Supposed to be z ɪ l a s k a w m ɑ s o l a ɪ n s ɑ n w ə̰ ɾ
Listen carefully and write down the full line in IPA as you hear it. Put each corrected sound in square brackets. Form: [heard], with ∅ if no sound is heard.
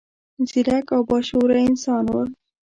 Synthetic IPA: z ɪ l a [∅] k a w [b] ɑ [ʃ] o [ɾ] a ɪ n s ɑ n w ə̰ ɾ